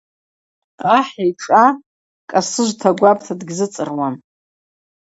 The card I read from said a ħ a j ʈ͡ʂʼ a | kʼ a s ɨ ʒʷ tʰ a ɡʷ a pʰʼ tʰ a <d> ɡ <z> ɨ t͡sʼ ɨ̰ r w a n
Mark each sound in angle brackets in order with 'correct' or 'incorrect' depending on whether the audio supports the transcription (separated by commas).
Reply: correct, correct